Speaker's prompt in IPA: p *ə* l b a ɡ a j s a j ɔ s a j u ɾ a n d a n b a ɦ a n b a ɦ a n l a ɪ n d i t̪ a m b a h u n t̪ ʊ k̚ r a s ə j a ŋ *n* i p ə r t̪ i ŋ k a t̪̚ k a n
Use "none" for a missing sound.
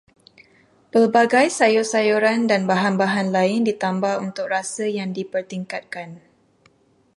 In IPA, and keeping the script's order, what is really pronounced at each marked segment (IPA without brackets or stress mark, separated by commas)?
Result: ə, d